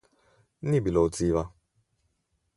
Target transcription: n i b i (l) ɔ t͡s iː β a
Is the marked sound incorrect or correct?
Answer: correct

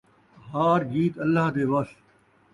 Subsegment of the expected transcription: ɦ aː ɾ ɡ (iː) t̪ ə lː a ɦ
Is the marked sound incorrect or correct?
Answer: correct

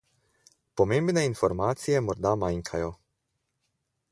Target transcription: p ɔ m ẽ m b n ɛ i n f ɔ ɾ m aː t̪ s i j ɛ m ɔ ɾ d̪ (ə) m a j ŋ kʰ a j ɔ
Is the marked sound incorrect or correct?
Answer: incorrect: a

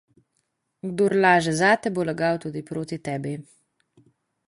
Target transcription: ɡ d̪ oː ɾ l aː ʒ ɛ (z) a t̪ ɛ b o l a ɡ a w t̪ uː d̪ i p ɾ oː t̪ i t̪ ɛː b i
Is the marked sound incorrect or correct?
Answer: correct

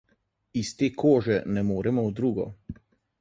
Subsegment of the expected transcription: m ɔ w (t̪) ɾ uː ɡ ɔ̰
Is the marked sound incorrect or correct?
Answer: incorrect: d̪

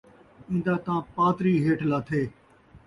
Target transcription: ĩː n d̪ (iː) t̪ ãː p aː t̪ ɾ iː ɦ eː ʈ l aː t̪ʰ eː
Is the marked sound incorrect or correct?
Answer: incorrect: aː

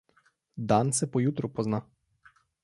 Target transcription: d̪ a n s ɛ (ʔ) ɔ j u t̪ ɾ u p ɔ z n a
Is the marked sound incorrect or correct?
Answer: incorrect: p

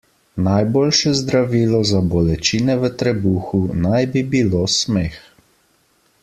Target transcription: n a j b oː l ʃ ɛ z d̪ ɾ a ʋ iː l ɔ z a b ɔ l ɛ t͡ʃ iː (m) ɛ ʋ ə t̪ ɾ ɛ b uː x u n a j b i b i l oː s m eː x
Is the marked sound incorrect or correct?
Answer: incorrect: n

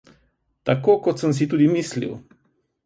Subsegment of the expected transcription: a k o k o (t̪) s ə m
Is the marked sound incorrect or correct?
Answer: correct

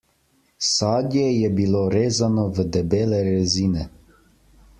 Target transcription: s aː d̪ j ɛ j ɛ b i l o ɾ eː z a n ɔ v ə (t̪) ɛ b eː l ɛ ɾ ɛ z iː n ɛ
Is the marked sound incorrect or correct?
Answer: incorrect: d̪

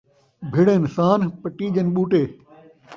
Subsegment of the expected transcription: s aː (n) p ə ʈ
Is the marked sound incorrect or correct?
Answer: correct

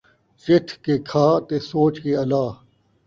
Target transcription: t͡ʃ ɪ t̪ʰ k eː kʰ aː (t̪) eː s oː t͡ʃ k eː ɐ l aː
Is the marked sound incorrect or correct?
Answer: correct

